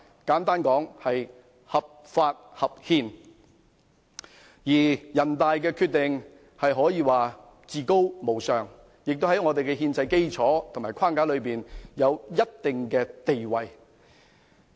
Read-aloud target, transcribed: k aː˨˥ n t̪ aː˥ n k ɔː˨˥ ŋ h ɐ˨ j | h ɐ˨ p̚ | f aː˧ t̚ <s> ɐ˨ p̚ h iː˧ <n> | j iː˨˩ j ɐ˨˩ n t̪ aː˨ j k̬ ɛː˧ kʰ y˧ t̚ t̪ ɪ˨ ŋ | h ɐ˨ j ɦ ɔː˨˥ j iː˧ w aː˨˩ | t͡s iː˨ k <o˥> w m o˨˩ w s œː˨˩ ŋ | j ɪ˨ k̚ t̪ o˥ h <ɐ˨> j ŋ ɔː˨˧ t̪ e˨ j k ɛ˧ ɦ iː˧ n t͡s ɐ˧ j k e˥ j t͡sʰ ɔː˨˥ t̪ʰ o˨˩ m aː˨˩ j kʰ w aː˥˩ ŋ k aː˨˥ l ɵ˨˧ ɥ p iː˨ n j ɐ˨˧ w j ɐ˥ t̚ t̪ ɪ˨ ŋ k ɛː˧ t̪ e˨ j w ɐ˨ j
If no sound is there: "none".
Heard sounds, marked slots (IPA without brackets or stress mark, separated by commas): h, n, o˥, ɐ˨˥